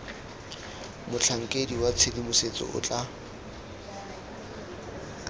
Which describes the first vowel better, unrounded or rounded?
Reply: rounded